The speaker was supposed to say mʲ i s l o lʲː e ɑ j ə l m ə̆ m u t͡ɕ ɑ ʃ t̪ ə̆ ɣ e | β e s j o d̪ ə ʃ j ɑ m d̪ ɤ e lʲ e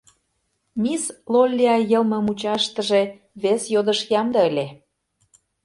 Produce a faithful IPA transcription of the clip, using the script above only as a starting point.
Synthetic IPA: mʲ i s l o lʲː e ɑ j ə l m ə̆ m u t͡ɕ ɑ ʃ t̪ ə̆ ʒ e | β e s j o d̪ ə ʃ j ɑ m d̪ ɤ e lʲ e